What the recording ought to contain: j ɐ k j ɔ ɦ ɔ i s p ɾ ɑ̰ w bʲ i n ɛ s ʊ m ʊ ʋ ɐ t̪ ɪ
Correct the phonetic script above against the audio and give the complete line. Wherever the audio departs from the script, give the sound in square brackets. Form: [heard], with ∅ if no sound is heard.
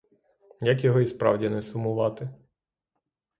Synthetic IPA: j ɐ k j ɔ ɦ ɔ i s p ɾ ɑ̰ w [dʲ] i n ɛ s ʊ m ʊ ʋ [ɑ] t̪ ɪ